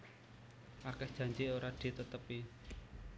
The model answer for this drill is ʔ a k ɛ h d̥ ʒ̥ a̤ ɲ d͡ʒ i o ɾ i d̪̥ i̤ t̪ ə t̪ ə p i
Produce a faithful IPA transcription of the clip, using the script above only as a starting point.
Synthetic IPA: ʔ a k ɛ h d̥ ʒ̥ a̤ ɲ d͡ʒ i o ɾ a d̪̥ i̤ t̪ ə t̪ ə p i